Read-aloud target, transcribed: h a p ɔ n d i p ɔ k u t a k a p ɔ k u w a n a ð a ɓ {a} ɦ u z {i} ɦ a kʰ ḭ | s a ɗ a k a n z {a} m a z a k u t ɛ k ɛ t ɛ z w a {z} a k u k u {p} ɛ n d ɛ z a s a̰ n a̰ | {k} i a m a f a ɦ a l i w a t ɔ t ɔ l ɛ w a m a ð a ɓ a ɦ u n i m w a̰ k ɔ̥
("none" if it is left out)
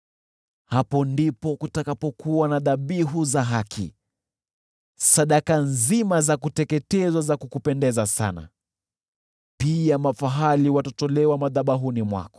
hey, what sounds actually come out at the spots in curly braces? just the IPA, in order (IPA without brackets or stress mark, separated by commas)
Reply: i, a, i, z, p, p